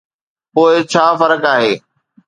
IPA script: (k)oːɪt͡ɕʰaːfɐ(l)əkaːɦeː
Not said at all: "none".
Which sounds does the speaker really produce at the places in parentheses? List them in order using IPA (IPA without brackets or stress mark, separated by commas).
p, ɾ